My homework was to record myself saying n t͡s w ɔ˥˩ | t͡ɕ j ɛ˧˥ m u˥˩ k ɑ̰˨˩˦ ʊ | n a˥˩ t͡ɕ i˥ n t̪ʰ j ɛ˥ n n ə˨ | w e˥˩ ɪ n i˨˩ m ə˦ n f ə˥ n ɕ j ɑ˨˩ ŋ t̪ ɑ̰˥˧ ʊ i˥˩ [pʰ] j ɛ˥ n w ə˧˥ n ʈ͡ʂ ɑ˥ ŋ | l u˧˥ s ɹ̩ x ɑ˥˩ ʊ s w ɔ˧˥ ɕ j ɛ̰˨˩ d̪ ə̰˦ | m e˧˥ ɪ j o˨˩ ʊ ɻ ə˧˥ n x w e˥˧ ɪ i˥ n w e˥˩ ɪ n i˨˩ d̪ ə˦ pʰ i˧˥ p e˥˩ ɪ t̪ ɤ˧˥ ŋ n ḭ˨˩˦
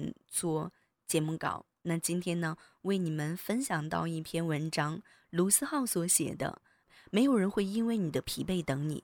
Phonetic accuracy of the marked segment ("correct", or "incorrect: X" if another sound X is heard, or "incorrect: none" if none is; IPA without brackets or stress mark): correct